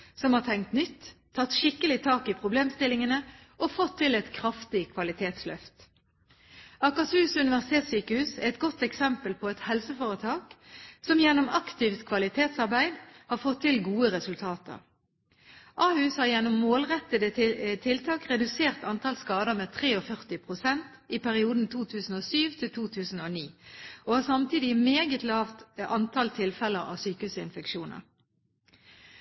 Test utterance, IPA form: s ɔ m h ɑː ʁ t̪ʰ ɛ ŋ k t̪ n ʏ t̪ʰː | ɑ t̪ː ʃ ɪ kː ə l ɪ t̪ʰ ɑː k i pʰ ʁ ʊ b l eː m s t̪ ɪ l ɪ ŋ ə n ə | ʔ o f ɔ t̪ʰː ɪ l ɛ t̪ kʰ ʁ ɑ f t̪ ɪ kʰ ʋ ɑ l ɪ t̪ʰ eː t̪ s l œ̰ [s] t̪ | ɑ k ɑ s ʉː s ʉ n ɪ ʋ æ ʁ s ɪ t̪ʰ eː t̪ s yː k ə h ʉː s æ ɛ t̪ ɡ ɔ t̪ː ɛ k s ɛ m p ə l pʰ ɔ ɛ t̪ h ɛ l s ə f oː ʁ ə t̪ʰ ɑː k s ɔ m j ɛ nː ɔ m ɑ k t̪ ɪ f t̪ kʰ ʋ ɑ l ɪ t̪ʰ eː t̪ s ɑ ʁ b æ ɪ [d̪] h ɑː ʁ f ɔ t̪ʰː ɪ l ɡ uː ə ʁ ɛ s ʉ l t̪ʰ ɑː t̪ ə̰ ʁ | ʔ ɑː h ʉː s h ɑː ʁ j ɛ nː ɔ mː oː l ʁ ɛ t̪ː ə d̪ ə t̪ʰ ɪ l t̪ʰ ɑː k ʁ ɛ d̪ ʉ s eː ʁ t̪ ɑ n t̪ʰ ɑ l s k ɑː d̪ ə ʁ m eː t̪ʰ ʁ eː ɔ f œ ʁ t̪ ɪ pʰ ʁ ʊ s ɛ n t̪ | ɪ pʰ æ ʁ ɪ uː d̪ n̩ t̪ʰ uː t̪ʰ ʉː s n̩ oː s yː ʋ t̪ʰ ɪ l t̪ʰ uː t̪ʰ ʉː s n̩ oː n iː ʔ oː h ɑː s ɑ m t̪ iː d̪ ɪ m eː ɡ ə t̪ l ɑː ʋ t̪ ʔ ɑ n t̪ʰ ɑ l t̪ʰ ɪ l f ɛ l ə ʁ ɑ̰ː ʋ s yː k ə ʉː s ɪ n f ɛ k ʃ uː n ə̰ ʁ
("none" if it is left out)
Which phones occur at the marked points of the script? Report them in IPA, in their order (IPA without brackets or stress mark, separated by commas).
f, d̪